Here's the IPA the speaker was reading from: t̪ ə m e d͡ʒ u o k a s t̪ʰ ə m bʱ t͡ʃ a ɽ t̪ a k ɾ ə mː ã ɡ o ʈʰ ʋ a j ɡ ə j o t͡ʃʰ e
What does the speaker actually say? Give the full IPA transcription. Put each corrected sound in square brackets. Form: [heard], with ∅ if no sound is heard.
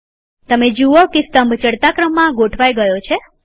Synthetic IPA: t̪ ə m e d͡ʒ u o k [e] s [t̪] ə m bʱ t͡ʃ [ə] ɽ t̪ a k ɾ ə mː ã ɡ o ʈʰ ʋ a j ɡ ə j o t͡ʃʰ e